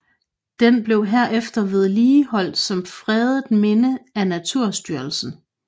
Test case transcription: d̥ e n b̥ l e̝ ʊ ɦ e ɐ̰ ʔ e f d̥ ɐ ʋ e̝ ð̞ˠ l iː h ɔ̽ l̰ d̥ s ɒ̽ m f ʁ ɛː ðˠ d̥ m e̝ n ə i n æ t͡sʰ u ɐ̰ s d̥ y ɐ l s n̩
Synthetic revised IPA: d̥ e n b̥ l e̝ ʊ ɦ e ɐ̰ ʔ e f d̥ ɐ ʋ e̝ ð̞ˠ l iː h ɒ̽ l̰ d̥ s ɒ̽ m f ʁ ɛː ðˠ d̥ m e̝ n ə æ n æ t͡sʰ u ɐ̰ s d̥ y ɐ l s n̩